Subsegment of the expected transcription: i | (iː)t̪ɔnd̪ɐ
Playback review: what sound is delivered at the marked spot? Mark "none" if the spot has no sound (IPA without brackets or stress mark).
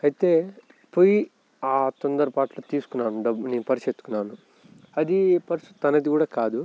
aː